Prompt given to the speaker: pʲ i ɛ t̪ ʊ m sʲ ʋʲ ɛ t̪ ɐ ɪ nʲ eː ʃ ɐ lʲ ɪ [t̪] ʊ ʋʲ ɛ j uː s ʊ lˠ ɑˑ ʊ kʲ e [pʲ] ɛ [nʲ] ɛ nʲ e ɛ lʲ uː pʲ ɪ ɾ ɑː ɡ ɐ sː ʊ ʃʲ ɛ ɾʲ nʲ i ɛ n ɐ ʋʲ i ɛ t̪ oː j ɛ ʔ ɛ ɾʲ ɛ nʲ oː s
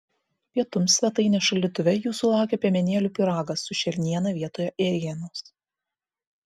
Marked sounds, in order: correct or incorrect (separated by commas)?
correct, correct, incorrect